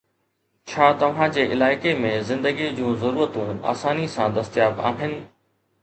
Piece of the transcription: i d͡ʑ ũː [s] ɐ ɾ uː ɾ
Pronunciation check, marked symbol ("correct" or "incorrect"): incorrect